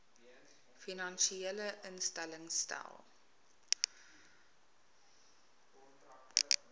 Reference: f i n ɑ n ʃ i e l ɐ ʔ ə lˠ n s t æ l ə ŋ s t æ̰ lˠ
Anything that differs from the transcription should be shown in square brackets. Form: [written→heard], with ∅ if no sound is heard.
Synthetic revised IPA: f i n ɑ n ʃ i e l [ɐ→ə] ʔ ə [lˠ→∅] n s t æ l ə ŋ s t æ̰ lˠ